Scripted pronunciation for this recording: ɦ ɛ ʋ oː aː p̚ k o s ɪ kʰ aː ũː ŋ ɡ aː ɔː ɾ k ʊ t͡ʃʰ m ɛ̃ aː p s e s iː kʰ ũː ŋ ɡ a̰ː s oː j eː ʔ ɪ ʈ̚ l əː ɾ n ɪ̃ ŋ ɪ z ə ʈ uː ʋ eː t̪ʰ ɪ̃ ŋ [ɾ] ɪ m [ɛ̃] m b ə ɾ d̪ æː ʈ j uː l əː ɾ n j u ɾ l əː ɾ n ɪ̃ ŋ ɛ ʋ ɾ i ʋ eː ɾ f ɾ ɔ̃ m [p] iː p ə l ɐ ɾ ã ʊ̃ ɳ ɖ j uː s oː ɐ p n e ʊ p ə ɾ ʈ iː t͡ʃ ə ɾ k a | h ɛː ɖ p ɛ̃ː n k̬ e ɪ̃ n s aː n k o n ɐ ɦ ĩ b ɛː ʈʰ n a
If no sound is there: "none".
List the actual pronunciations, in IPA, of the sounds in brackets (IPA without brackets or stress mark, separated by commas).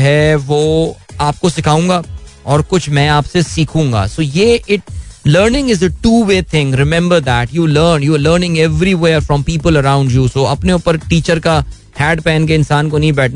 ɾ, ɛ̃, p